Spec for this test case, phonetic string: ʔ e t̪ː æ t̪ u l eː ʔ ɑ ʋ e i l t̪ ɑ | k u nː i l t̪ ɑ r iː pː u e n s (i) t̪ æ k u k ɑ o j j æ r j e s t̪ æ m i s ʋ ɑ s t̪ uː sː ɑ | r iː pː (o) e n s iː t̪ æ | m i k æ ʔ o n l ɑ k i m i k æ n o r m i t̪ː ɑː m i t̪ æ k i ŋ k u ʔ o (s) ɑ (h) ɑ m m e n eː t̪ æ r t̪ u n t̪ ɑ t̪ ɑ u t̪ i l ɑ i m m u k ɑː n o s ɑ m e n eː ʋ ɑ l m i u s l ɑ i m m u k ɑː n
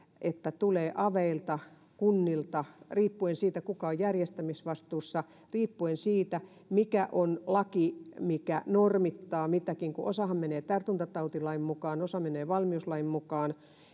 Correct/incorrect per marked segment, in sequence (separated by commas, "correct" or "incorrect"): incorrect, incorrect, correct, correct